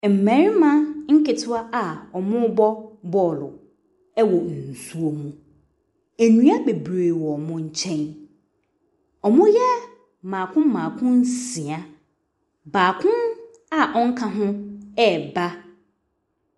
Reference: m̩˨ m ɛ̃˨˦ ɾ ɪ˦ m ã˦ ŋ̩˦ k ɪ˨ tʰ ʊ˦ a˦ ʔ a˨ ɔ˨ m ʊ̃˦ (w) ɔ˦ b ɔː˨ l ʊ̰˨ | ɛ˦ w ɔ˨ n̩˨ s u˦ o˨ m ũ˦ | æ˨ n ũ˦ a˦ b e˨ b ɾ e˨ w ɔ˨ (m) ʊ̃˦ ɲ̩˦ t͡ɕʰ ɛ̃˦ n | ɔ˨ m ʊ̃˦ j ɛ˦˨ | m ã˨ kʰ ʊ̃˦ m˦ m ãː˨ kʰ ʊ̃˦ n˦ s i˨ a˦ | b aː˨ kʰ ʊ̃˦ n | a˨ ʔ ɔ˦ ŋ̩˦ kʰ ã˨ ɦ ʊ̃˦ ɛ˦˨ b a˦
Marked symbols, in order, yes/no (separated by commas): no, yes